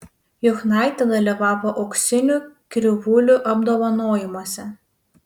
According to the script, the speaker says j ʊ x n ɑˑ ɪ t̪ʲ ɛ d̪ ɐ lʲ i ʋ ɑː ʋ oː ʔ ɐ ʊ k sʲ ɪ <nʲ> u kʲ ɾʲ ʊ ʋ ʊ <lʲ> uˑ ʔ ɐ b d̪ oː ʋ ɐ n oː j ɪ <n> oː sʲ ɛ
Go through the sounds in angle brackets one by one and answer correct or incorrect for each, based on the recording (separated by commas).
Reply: correct, correct, incorrect